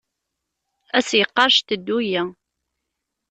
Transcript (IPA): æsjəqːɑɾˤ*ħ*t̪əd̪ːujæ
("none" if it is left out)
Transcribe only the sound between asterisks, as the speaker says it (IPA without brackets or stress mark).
ʃ